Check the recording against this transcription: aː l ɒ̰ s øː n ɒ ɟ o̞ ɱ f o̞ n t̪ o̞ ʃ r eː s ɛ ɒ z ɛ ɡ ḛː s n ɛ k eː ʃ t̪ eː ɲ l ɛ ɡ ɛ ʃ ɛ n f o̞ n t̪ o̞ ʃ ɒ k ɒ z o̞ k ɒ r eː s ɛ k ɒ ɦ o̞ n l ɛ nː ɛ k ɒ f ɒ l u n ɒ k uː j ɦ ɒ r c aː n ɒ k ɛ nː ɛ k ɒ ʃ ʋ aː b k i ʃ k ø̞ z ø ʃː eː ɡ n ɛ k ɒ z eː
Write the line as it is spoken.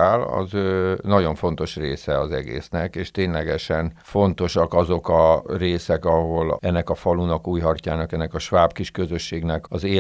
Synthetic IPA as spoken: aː l ɒ̰ z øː n ɒ ɟ o̞ ɱ f o̞ n t̪ o̞ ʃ r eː s ɛ ɒ z ɛ ɡ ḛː s n ɛ k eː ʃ t̪ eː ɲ l ɛ ɡ ɛ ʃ ɛ n f o̞ n t̪ o̞ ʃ ɒ k ɒ z o̞ k ɒ r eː s ɛ k ɒ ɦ o̞ l ɛ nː ɛ k ɒ f ɒ l u n ɒ k uː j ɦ ɒ r c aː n ɒ k ɛ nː ɛ k ɒ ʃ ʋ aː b k i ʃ k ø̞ z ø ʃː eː ɡ n ɛ k ɒ z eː